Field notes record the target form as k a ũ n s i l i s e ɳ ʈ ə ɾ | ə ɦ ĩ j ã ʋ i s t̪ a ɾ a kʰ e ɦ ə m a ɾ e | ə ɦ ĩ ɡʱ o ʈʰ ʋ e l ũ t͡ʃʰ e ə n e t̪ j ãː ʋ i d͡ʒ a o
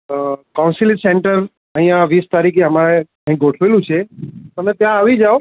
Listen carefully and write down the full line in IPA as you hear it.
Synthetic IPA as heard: k a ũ n s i l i s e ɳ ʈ ə ɾ | ə ɦ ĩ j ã ʋ i s t̪ a ɾ i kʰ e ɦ ə m a ɾ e | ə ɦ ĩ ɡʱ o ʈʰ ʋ e l ũ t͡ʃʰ e ə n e t̪ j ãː ʋ i d͡ʒ a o